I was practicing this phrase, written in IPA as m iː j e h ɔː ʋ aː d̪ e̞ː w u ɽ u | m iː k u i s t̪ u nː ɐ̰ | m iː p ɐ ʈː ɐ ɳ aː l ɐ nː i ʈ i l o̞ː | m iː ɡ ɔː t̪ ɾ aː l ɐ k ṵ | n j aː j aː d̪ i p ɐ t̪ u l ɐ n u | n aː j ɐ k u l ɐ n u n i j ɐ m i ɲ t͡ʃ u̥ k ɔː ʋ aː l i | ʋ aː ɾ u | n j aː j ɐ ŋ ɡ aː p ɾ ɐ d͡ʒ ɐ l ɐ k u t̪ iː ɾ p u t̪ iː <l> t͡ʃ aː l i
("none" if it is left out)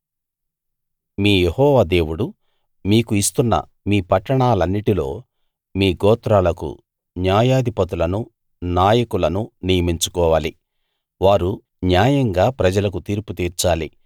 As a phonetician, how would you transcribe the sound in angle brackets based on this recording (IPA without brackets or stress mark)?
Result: ɾ